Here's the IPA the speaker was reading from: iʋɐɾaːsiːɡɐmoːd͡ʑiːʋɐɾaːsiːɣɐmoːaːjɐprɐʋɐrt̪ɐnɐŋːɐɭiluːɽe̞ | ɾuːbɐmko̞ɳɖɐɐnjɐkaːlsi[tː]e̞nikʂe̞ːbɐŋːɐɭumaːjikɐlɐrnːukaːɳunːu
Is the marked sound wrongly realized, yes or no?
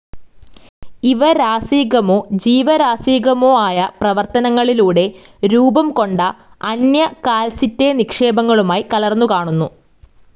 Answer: no